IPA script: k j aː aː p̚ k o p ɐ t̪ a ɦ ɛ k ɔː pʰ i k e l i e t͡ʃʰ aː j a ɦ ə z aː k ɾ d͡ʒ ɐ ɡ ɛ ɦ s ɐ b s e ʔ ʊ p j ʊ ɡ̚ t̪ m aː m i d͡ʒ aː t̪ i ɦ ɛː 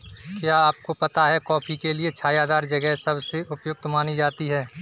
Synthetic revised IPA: k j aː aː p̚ k o p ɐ t̪ a ɦ ɛ k ɔː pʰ i k e l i e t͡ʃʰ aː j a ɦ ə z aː ɾ d͡ʒ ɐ ɡ ɛ ɦ s ɐ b s e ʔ ʊ p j ʊ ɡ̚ t̪ m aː n i d͡ʒ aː t̪ i ɦ ɛː